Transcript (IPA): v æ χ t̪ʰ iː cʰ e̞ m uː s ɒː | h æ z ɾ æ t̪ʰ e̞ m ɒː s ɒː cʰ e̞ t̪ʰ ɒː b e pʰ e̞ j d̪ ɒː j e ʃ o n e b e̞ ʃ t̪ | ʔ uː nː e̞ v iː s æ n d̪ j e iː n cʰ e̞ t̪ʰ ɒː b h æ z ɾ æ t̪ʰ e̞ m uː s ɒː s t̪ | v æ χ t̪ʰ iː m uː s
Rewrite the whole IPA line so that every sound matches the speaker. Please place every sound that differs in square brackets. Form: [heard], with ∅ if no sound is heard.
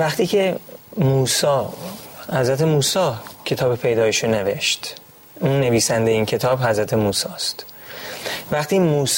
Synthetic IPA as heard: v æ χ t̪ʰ iː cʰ e̞ m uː s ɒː | h æ z ɾ æ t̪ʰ e̞ m [uː] s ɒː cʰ e̞ t̪ʰ ɒː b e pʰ e̞ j d̪ ɒː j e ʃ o n e [v] e̞ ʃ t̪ | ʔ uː nː e̞ v iː s æ n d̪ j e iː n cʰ e̞ t̪ʰ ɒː b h æ z ɾ æ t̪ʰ e̞ m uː s ɒː s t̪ | v æ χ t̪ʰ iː m uː s